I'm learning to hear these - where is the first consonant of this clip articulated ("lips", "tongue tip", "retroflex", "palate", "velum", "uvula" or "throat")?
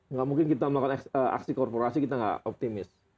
velum